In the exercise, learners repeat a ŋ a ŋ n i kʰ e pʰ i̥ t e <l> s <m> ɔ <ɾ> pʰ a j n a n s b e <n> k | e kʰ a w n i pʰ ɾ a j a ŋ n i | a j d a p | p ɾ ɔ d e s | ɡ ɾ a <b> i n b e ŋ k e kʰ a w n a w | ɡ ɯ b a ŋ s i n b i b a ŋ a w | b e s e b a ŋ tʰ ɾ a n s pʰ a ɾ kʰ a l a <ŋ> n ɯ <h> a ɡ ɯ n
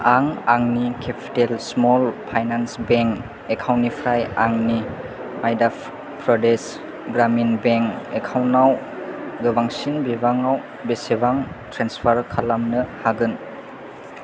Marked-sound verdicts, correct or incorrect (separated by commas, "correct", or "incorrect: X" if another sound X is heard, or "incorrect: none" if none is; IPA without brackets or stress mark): correct, correct, incorrect: l, incorrect: ŋ, incorrect: m, incorrect: m, correct